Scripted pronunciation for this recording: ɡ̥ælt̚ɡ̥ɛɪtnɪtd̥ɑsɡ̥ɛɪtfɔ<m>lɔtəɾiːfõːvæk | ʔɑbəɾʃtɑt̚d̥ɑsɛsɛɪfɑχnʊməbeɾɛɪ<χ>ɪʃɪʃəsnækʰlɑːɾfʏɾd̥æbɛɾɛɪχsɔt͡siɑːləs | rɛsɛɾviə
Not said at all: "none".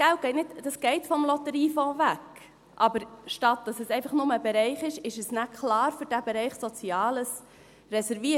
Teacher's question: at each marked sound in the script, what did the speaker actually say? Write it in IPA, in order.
m, χ

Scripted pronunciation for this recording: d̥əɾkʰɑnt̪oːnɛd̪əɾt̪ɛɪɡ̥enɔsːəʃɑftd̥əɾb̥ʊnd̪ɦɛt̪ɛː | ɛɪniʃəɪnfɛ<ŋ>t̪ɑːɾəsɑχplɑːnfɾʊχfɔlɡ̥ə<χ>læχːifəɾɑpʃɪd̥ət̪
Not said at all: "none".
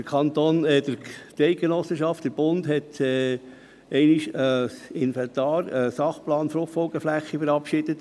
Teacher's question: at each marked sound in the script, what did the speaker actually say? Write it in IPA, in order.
n, f

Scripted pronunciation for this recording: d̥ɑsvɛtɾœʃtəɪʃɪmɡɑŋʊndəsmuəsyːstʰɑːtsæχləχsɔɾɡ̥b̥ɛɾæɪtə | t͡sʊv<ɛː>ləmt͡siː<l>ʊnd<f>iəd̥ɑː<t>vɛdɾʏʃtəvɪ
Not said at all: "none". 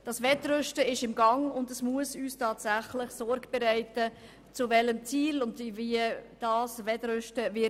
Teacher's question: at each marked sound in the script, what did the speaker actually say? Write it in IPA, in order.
ɛ, l, v, s

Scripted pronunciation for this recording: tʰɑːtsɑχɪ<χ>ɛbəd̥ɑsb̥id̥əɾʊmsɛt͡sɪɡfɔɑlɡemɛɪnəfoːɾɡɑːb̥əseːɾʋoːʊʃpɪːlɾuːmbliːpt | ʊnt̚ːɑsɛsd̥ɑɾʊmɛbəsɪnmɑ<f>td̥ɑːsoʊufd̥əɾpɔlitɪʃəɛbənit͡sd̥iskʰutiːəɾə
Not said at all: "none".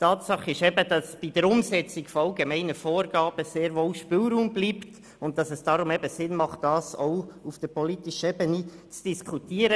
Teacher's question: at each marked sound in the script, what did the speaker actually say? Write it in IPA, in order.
ʃ, χ

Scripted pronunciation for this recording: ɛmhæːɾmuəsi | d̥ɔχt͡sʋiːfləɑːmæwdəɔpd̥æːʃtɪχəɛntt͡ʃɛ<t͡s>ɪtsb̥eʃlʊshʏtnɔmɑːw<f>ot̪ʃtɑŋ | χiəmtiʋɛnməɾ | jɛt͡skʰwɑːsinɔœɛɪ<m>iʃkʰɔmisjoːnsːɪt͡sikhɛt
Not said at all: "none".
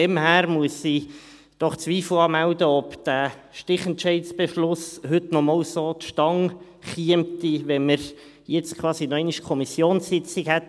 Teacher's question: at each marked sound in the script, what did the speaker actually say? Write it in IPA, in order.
none, s, n

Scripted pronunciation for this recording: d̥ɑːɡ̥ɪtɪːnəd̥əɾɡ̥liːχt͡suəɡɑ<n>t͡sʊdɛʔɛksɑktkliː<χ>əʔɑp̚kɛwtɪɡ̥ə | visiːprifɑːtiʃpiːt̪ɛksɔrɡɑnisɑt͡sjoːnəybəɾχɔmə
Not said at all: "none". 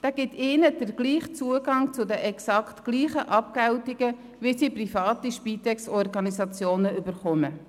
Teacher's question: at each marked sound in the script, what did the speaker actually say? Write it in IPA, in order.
ŋ, χ

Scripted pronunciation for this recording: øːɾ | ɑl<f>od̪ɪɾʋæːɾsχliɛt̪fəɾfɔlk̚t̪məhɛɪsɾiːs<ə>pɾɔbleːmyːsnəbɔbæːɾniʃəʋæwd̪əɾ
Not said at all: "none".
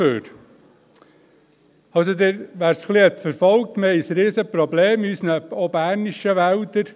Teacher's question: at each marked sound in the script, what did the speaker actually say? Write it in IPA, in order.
s, ə

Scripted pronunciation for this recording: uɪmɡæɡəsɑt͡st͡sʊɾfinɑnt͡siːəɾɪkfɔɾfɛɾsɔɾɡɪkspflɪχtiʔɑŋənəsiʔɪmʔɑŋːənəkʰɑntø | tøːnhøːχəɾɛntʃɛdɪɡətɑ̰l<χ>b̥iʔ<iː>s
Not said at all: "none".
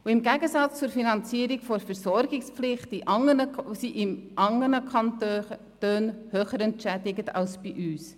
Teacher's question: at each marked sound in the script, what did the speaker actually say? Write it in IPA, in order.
s, yː

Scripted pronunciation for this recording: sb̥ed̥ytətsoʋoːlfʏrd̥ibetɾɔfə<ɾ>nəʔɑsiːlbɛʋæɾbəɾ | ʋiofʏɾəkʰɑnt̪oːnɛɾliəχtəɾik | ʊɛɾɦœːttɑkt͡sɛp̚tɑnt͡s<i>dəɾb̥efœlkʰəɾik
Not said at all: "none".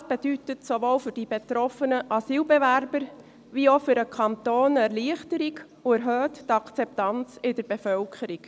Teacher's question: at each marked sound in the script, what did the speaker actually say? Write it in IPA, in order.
none, ɪ

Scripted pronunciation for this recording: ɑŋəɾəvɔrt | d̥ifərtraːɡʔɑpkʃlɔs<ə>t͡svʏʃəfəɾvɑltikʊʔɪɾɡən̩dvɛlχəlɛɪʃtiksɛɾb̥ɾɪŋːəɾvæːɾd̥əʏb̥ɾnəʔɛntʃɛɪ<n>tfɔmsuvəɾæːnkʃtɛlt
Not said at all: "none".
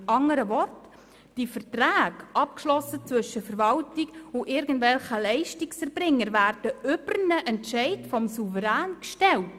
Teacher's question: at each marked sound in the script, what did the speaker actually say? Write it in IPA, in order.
ə, none

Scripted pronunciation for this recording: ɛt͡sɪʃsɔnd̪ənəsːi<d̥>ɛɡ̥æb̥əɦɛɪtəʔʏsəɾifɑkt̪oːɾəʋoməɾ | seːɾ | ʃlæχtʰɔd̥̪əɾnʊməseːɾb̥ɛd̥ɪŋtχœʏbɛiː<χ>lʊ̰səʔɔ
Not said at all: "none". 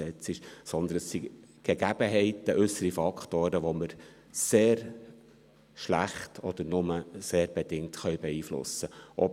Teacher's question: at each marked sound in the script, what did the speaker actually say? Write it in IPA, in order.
ɡ̥, f

